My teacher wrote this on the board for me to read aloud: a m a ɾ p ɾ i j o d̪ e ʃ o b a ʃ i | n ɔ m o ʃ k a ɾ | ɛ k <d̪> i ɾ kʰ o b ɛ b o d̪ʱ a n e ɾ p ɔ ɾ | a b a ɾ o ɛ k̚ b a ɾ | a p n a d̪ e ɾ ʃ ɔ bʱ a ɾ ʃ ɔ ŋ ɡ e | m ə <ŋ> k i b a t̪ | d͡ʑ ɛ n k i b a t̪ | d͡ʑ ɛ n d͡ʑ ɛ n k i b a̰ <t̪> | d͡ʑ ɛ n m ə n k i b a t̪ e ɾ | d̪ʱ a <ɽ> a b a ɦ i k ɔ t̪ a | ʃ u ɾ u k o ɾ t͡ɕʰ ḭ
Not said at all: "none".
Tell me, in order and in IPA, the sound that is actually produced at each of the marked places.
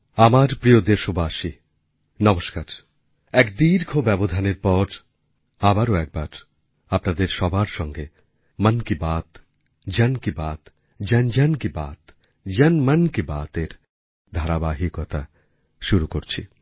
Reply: d̪, n, t̪, ɾ

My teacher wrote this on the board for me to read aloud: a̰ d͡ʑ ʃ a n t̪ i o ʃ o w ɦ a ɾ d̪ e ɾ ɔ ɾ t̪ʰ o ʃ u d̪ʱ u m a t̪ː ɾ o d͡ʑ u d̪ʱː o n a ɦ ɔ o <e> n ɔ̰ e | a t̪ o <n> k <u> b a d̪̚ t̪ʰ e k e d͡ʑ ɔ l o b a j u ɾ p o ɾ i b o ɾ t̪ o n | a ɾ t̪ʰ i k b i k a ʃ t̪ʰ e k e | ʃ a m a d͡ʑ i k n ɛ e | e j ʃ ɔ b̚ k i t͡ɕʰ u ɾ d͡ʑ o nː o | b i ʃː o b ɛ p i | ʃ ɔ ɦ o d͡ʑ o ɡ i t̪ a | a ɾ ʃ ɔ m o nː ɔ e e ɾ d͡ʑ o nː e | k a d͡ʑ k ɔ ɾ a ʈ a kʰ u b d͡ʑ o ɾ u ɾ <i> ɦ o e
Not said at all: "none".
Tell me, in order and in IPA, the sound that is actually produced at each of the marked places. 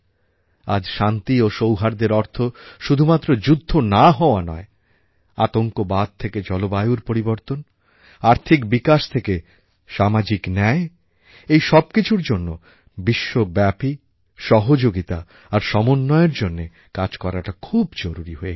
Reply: a, ŋ, o, i

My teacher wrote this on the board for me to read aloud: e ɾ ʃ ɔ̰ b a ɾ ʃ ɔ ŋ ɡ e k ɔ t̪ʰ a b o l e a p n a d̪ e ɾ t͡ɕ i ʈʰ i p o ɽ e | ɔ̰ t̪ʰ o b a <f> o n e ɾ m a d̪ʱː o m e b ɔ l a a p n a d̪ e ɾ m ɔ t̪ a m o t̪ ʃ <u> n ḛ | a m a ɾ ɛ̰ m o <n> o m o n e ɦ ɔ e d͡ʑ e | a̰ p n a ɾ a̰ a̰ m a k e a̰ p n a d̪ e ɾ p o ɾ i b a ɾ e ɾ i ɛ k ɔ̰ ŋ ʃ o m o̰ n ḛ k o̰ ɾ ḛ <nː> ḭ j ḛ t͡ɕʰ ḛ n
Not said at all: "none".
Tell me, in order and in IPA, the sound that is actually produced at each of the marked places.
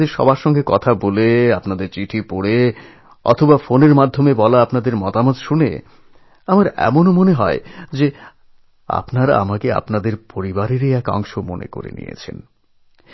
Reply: f, u, n, n

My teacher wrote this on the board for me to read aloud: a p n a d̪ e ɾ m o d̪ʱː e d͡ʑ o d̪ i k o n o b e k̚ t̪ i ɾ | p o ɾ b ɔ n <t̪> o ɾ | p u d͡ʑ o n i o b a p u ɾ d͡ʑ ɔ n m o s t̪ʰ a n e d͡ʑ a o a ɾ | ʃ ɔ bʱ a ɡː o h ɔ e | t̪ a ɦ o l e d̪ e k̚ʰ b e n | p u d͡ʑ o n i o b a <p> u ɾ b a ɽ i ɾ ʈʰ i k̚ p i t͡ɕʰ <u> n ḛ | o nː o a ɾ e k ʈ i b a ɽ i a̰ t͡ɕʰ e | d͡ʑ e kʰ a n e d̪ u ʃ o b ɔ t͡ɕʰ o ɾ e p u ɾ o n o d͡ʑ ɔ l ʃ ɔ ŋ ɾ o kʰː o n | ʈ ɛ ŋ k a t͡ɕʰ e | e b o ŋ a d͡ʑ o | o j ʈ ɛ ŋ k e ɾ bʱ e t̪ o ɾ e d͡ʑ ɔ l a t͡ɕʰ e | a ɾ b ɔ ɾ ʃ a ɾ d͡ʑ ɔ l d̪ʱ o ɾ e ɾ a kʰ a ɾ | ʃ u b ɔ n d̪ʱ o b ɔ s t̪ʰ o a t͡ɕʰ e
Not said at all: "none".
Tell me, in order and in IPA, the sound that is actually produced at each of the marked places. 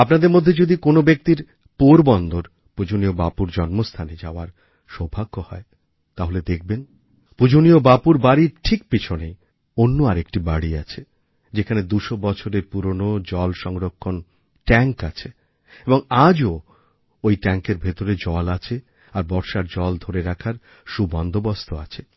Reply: d̪, p, o

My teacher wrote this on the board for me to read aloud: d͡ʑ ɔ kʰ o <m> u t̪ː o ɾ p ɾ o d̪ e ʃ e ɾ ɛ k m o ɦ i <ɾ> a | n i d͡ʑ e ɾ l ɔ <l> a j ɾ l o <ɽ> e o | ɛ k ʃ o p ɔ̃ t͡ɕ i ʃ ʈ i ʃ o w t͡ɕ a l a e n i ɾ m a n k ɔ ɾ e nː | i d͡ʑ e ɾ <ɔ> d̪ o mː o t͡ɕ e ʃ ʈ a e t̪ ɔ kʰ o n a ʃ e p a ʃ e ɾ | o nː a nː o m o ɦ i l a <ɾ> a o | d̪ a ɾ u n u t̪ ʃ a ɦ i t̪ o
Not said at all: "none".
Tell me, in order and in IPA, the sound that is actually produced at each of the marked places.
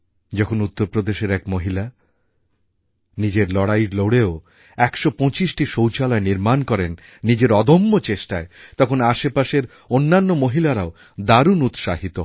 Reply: n, l, ɽ, ɽ, ɔ, ɾ

